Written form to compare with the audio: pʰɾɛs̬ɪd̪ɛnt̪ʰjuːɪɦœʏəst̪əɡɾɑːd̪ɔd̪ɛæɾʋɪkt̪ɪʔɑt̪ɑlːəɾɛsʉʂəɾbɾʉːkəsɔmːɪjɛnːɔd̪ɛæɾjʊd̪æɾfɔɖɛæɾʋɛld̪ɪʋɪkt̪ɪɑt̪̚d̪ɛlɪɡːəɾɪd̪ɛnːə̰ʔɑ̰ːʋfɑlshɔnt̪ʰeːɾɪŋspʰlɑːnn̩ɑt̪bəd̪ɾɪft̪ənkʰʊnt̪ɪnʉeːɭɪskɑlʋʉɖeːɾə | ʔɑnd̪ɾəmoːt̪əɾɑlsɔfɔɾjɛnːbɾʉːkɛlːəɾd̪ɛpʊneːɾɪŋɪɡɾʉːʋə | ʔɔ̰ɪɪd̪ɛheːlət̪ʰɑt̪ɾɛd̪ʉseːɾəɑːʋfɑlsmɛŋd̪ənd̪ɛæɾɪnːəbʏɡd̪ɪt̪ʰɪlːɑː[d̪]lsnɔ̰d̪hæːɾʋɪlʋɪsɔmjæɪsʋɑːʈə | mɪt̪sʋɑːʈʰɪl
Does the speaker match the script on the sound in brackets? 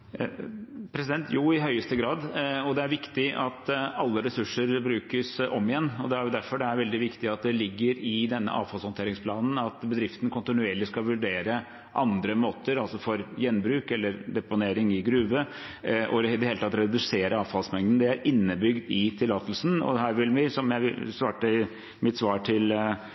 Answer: no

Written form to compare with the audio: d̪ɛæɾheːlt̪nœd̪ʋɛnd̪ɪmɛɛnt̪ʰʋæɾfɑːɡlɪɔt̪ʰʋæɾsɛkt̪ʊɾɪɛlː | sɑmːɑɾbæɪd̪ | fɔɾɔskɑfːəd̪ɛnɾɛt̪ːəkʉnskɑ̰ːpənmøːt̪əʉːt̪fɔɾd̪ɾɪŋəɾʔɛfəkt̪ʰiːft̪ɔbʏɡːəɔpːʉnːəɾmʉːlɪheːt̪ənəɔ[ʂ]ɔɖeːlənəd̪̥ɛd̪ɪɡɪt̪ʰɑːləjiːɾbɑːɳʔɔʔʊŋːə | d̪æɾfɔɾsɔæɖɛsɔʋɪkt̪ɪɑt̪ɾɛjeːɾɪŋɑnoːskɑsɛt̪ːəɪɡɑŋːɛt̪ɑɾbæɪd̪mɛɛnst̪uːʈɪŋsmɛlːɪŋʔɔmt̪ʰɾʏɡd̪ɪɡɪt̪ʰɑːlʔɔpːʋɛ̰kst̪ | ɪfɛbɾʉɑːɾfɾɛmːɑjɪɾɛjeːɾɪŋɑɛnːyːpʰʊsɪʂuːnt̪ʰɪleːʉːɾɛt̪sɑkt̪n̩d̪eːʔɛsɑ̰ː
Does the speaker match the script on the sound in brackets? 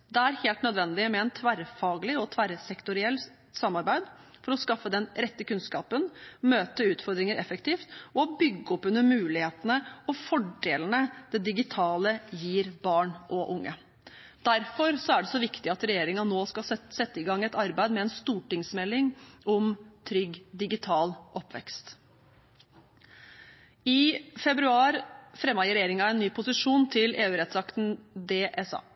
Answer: no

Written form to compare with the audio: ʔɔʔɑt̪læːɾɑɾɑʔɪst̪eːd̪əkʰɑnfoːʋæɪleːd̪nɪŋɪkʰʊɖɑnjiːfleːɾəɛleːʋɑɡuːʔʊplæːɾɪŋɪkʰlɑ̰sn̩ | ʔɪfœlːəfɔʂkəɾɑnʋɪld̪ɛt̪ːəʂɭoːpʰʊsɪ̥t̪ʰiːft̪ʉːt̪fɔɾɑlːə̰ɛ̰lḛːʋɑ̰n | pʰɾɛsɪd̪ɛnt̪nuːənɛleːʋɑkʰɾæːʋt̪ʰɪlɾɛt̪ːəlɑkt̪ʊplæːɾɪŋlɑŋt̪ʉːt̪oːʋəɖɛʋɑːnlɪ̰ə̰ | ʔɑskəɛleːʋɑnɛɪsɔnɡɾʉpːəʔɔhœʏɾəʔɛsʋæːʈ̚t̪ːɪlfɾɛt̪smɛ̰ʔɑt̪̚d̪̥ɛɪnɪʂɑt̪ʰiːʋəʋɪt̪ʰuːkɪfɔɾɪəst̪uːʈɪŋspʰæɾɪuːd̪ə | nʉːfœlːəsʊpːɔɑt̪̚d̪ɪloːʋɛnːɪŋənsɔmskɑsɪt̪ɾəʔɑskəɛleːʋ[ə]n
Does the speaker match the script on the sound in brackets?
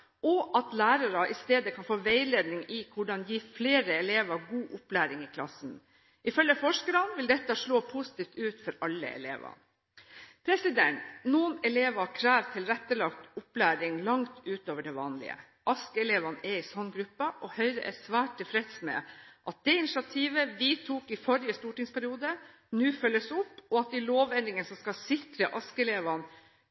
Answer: no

